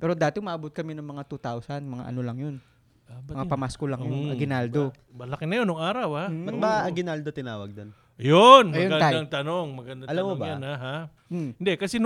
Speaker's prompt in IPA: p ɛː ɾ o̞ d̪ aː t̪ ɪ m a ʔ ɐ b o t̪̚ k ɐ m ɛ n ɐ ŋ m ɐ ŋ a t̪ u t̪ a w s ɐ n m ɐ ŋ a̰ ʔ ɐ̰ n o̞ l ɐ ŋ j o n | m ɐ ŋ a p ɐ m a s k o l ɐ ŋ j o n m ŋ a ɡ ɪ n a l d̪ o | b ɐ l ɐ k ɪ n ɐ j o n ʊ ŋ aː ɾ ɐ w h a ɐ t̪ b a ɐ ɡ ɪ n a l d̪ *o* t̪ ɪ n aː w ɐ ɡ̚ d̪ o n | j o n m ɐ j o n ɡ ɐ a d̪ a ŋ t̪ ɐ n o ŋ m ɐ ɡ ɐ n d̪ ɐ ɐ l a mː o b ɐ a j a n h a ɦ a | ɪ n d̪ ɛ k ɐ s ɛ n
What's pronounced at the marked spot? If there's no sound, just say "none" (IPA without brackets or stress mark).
o